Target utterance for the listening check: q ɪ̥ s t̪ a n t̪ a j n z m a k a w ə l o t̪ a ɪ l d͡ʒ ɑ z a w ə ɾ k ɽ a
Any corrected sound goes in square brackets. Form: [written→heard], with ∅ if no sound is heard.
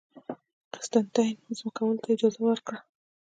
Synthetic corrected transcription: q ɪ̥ s t̪ a n t̪ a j n z m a k a w ə l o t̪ a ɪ [l→∅] d͡ʒ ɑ z a w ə ɾ k ɽ a